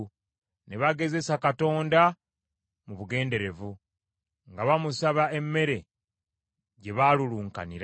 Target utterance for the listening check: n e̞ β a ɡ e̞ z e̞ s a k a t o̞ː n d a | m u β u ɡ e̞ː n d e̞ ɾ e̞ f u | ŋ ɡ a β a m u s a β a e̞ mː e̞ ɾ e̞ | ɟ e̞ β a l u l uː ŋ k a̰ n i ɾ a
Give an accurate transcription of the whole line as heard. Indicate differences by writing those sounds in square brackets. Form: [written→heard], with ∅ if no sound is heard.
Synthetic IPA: n e̞ β a ɡ e̞ z e̞ s a k a t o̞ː n d a | m u β u ɡ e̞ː n d e̞ ɾ e̞ [f→v] u | ŋ ɡ a β a m u s a β a e̞ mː e̞ ɾ e̞ | ɟ e̞ β a l u l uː ŋ k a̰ n i ɾ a